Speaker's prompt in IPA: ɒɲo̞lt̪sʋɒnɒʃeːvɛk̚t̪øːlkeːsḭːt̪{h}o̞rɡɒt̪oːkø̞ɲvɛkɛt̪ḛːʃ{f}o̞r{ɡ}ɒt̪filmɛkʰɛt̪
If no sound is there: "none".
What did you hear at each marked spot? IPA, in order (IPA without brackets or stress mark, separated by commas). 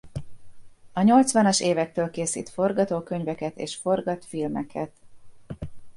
f, f, ɡ